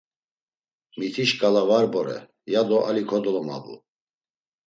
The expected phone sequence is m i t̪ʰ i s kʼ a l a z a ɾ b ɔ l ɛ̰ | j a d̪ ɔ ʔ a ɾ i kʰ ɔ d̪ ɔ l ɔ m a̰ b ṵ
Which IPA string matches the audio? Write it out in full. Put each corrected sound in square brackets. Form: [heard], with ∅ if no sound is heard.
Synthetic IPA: m i t̪ʰ i [ʃ] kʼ a l a [v] a ɾ b ɔ [ɾ] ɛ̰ | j a d̪ ɔ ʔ a [l] i kʰ ɔ d̪ ɔ l ɔ m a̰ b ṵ